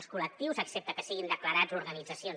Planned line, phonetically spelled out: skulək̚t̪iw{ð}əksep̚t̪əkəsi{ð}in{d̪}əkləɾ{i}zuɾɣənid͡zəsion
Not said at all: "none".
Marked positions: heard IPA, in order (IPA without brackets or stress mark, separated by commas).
z, ɣ, d̪, a